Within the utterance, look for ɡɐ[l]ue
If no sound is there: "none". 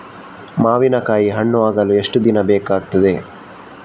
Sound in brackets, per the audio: l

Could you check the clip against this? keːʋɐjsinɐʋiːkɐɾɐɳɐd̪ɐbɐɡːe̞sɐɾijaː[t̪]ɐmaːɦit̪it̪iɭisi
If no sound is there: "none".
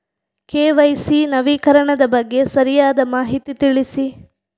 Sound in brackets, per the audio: d̪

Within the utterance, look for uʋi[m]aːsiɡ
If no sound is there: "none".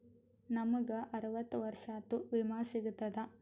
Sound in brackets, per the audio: m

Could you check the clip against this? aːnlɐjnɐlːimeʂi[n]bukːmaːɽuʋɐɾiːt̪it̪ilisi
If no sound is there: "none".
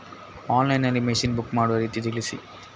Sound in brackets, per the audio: n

